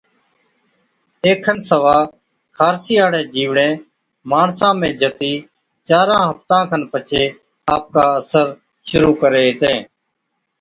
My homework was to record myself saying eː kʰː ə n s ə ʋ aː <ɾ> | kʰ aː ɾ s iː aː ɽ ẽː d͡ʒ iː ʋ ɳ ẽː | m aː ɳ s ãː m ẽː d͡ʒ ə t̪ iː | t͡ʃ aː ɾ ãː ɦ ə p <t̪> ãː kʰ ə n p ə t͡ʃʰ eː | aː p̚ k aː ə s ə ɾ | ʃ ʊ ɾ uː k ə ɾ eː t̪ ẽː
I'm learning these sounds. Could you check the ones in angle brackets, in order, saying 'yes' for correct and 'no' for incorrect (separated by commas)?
no, yes